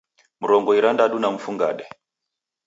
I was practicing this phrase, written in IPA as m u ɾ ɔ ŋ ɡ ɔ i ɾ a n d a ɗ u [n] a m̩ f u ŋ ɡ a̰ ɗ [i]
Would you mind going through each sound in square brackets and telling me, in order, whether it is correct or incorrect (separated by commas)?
correct, incorrect